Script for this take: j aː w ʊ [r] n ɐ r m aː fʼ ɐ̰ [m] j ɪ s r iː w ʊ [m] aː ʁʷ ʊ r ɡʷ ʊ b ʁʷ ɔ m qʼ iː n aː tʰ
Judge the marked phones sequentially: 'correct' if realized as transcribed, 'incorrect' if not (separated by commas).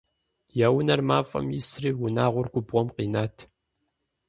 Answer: incorrect, correct, incorrect